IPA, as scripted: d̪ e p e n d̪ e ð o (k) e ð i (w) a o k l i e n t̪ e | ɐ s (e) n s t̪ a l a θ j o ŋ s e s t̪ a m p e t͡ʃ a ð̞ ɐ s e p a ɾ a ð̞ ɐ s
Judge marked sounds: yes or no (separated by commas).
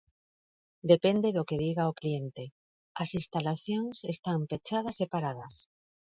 yes, no, no